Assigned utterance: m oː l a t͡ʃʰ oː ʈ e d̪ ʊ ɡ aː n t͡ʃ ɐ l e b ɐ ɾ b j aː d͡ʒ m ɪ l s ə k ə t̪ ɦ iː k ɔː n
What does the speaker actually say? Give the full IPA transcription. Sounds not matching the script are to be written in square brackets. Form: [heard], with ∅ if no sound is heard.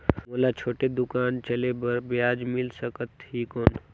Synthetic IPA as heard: m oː l a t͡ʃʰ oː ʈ e d̪ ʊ [k] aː n t͡ʃ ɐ l e b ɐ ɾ b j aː d͡ʒ m ɪ l s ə k ə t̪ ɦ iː k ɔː n